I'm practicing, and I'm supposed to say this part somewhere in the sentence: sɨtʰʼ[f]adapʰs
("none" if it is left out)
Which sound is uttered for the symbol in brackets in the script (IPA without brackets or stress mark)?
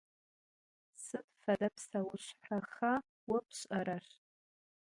f